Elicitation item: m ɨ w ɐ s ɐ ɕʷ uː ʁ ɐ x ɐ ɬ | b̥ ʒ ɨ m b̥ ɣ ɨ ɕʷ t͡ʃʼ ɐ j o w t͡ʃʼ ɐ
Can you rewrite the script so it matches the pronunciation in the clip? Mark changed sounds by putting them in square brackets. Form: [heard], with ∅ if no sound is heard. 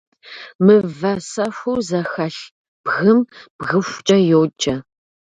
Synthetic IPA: m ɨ [v] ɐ s ɐ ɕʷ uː [z] ɐ x ɐ ɬ | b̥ [ɣ] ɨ m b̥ ɣ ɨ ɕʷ t͡ʃʼ ɐ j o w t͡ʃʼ ɐ